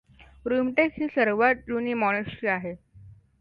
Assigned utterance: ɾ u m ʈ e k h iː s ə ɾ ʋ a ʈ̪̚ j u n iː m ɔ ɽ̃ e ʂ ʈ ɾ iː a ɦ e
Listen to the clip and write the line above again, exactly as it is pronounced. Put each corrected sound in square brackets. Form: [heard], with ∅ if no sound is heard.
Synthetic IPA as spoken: ɾ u m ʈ e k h iː s ə ɾ ʋ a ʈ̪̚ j u n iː m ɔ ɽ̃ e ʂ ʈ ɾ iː a ɦ e